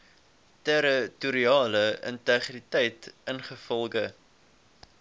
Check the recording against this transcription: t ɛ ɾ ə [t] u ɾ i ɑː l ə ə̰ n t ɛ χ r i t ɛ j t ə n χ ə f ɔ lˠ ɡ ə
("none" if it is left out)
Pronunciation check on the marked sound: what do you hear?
t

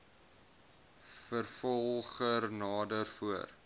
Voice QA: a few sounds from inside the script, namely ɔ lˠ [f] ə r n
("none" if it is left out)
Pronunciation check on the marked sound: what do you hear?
χ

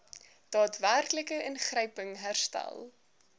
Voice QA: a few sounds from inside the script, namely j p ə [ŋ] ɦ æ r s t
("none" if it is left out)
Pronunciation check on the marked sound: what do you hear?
ŋ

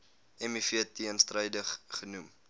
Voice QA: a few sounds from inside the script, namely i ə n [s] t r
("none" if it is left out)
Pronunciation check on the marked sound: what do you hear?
s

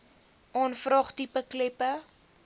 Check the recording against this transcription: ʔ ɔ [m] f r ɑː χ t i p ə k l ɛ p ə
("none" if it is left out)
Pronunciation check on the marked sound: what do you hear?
n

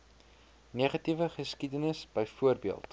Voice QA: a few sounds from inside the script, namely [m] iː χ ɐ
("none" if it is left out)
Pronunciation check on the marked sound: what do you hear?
n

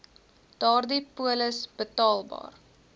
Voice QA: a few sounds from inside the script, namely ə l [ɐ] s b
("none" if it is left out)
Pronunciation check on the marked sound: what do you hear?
ə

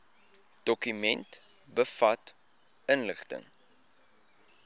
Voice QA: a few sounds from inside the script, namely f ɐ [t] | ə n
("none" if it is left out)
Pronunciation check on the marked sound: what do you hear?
t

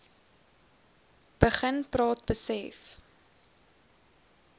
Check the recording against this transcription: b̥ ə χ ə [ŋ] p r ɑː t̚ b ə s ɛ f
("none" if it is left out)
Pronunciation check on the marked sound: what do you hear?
n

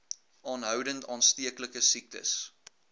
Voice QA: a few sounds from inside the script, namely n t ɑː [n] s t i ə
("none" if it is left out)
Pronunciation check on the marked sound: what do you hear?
n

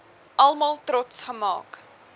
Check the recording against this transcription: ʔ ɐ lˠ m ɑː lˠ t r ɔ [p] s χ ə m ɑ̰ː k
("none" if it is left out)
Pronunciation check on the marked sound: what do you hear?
t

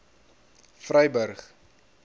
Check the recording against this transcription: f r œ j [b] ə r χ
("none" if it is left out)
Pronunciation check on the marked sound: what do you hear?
b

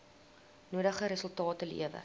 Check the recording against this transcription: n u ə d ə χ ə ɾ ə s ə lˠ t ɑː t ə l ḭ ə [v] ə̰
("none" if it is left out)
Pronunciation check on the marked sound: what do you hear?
v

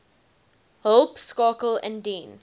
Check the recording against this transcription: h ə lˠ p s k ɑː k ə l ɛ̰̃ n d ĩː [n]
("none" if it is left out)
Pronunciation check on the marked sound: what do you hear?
n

